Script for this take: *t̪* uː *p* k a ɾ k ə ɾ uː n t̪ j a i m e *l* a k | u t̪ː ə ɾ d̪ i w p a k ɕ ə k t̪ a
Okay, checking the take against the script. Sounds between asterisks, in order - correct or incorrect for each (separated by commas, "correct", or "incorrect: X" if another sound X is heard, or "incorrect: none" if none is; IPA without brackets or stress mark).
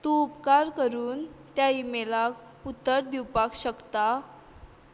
correct, correct, correct